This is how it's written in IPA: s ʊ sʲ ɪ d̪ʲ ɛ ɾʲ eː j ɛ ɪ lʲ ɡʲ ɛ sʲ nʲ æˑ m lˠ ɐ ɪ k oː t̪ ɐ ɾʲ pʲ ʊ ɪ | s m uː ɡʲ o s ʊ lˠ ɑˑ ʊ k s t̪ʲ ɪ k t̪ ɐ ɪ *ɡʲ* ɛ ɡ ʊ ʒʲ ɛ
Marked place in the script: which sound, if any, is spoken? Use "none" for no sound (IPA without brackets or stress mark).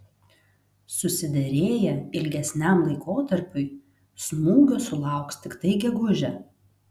ɡʲ